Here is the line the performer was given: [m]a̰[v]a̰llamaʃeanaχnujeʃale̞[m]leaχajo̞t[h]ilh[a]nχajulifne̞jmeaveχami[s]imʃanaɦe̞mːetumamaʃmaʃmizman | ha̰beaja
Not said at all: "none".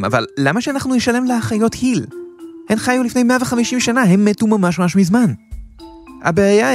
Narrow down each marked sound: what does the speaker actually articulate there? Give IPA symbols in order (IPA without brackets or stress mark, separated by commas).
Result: m, v, m, h, e, ʃ